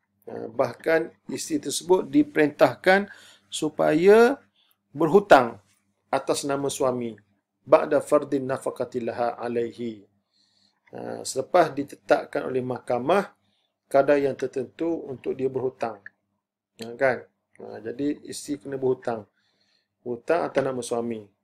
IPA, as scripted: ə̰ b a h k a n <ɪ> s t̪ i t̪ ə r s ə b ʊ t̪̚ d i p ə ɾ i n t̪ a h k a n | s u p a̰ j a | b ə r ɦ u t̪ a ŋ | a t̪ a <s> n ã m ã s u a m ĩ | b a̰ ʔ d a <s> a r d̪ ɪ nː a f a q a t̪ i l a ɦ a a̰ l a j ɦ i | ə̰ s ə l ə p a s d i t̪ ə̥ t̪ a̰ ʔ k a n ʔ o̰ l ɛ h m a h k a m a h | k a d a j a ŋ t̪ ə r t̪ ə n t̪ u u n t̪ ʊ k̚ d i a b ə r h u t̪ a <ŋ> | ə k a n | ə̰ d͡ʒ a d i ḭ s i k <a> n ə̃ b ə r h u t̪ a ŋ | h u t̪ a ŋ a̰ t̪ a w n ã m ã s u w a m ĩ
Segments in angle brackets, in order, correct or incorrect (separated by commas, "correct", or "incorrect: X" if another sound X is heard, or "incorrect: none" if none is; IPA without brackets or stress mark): incorrect: i, correct, incorrect: f, correct, incorrect: ə